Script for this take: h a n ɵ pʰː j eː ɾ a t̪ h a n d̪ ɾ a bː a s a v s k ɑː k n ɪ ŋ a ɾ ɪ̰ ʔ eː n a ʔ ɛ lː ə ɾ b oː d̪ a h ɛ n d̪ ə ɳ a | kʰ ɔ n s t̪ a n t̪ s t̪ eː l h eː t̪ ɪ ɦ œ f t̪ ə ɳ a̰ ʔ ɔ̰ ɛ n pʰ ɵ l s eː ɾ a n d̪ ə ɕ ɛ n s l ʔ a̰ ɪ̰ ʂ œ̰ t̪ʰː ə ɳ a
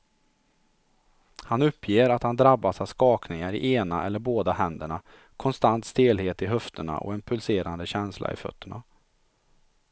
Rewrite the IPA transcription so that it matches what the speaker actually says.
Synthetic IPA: h a n ɵ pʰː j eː ɾ a t̪ h a n d̪ ɾ a bː a s a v s k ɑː k n ɪ ŋ a ɾ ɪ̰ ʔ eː n a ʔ ɛ lː ə ɾ b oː d̪ a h ɛ n d̪ ə ɳ a | kʰ ɔ n s t̪ a n t̪ s t̪ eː l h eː t̪ ɪ ɦ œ f t̪ ə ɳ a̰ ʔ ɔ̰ ɛ n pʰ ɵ l s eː ɾ a n d̪ ə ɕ ɛ n s l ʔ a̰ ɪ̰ f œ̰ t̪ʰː ə ɳ a